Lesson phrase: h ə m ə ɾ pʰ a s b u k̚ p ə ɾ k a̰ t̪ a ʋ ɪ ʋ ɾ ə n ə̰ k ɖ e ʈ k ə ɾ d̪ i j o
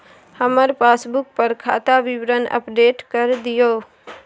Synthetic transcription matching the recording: h ə m ə ɾ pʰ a s b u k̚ p ə ɾ kʰ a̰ t̪ a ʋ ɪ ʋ ɾ ə n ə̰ p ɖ e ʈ k ə ɾ d̪ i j o